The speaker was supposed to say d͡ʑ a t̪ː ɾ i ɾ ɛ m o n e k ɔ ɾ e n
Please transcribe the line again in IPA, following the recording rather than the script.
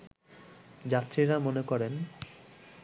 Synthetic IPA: d͡ʑ a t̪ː ɾ i ɾ a m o n e k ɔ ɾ e n